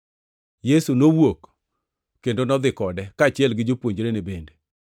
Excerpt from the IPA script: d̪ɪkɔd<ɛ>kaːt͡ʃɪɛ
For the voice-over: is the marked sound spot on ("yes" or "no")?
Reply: yes